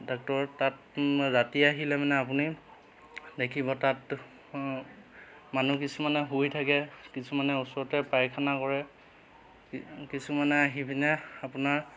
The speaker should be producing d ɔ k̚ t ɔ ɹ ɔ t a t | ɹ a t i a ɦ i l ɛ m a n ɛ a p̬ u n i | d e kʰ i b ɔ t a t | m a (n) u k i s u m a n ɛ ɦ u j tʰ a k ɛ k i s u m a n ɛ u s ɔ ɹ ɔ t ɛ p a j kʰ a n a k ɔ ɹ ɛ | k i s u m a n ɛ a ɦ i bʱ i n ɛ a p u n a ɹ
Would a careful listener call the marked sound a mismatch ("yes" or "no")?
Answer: no